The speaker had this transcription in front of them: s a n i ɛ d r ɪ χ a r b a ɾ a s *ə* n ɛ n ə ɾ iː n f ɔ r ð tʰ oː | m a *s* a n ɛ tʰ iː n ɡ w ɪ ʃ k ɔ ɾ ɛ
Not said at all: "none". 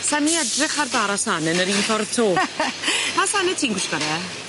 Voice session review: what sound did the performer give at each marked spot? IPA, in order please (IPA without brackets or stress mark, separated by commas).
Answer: a, s